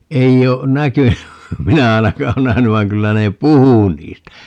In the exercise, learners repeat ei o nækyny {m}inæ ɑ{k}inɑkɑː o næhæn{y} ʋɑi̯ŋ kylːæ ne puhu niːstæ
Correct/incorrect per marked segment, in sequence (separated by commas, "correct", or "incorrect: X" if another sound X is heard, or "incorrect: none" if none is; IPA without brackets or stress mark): correct, incorrect: none, correct